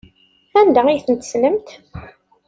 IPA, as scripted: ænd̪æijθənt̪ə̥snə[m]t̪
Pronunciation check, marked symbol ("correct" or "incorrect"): correct